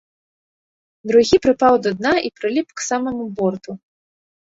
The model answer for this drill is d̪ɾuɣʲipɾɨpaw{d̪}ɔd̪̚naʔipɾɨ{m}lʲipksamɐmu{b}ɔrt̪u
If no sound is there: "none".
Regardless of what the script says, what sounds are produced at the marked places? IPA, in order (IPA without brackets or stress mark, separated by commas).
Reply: d̪, none, b